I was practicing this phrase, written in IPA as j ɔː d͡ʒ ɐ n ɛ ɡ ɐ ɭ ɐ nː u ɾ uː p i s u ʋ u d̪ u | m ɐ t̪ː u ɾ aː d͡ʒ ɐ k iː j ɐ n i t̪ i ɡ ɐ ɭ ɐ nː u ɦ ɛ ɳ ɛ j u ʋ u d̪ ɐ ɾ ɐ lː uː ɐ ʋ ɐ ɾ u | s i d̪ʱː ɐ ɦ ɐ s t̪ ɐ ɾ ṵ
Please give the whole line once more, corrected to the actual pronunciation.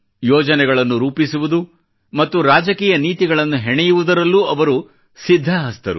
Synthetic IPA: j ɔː d͡ʒ ɐ n ɛ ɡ ɐ ɭ ɐ nː u ɾ uː p i s u ʋ u d̪ u | m ɐ t̪ː u ɾ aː d͡ʒ ɐ k iː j ɐ n iː t̪ i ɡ ɐ ɭ ɐ nː u ɦ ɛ ɳ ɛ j u ʋ u d̪ ɐ ɾ ɐ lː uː ɐ ʋ ɐ ɾ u | s i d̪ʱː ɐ ɦ ɐ s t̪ ɐ ɾ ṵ